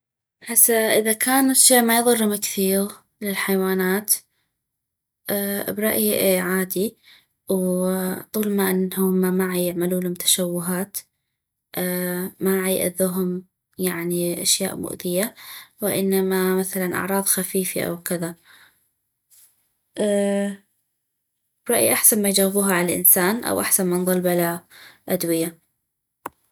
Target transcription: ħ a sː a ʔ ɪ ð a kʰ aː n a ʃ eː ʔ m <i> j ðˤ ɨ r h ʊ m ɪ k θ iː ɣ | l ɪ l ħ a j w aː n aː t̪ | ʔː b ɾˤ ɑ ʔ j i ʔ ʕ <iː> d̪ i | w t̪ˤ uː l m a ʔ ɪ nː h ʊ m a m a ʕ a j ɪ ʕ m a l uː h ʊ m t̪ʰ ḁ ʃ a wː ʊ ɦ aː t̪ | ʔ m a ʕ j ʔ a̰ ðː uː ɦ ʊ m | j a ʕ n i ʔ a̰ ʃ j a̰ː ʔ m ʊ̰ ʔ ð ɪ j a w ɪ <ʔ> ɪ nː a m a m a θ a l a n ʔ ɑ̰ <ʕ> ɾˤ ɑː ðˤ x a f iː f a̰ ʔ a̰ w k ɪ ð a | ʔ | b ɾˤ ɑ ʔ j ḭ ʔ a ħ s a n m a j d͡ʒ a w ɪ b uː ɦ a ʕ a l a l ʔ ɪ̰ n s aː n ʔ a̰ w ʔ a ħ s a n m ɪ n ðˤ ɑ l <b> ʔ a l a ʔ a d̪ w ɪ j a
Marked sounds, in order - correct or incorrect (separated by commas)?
incorrect, incorrect, correct, correct, correct